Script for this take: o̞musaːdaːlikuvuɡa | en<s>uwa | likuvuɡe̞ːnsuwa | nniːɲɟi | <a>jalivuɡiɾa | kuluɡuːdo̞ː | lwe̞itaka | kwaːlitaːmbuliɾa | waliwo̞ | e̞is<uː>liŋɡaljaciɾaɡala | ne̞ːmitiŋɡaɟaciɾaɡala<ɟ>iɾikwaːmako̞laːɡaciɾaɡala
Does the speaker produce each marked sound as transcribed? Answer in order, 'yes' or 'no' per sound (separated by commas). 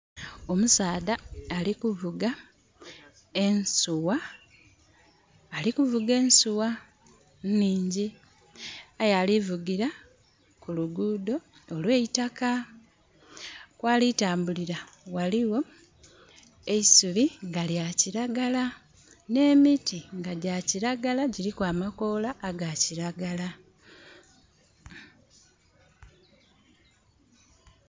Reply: yes, yes, no, yes